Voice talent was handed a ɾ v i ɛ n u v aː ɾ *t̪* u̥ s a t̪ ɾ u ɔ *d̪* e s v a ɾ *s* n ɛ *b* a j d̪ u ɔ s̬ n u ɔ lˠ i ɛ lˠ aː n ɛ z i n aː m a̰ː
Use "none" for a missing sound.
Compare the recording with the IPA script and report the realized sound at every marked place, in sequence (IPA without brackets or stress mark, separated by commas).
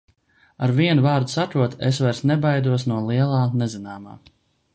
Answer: d̪, t̪, s, b